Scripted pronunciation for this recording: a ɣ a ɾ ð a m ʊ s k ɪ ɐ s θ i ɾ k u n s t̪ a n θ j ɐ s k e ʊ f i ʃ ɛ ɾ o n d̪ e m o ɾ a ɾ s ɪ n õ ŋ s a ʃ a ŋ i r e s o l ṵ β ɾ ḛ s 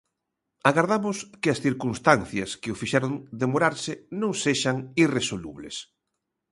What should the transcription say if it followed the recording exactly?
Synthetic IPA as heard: a ɣ a ɾ ð a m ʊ s k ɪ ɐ s θ i ɾ k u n s t̪ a n θ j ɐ s k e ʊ f i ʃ ɛ ɾ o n d̪ e m o ɾ a ɾ s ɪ n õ ŋ s e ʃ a ŋ i r e s o l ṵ β l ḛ s